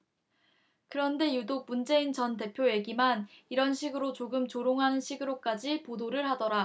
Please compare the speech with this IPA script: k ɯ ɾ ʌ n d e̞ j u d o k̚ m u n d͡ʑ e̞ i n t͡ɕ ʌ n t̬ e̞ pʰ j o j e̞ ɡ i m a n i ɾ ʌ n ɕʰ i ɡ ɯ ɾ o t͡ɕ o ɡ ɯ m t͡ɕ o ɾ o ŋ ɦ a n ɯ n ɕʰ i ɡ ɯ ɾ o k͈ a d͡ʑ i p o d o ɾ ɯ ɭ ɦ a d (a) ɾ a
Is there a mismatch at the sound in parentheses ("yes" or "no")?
yes